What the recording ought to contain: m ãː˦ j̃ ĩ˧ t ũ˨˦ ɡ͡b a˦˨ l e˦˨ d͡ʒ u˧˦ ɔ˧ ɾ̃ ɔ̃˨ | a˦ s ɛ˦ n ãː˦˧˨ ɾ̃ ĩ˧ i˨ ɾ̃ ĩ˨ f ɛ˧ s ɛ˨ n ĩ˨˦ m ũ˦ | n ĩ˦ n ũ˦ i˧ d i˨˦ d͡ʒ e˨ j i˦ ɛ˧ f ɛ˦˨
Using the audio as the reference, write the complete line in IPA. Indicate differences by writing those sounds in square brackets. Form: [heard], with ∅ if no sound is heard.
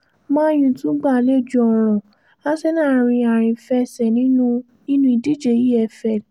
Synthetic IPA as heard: m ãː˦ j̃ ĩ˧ t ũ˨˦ ɡ͡b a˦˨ l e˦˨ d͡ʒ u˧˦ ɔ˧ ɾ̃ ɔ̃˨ | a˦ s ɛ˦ n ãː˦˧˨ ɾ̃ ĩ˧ [a˨] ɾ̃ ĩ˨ f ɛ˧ s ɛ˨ n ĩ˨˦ [n] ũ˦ | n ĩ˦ n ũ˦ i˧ d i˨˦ d͡ʒ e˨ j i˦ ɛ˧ f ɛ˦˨